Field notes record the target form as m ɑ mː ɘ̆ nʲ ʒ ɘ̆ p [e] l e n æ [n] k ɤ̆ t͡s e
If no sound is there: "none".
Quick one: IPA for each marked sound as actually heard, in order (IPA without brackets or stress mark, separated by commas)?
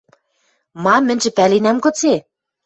æ, m